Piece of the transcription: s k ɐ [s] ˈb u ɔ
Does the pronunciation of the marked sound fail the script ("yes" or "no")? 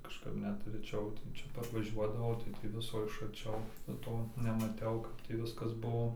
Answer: no